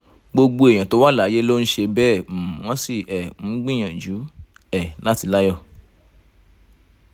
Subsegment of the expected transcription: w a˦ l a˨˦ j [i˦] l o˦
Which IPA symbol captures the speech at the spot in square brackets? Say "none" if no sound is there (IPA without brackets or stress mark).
e˦